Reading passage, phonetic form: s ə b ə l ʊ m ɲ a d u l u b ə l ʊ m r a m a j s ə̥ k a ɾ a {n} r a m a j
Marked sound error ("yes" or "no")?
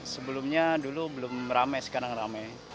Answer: yes